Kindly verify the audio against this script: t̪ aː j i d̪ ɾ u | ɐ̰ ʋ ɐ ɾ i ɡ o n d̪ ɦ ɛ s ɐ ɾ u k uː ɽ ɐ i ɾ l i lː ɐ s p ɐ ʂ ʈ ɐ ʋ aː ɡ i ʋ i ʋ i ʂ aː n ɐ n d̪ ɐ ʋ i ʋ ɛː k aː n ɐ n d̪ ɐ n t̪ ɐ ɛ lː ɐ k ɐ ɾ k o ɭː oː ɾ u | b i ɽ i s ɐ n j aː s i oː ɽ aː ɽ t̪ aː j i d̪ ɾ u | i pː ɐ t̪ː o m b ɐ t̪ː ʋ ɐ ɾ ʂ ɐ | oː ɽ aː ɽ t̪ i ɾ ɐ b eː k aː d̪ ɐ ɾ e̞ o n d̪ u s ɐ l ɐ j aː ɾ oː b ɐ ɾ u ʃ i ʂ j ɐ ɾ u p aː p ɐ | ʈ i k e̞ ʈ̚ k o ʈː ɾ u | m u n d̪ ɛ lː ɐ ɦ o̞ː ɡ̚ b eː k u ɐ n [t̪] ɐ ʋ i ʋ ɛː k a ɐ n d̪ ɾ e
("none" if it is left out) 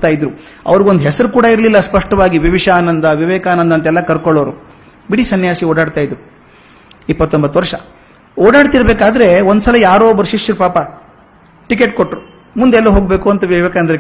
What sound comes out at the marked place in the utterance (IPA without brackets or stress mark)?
t̪